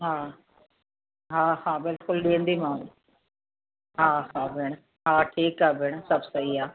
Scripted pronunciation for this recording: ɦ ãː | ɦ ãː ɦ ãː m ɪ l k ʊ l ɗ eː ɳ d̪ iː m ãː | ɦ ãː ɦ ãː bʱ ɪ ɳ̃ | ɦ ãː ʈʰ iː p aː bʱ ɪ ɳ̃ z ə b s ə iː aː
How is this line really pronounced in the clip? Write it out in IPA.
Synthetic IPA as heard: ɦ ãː | ɦ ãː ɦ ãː b ɪ l k ʊ l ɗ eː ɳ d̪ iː m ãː | ɦ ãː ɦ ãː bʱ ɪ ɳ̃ | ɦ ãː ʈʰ iː k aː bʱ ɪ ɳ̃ s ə b s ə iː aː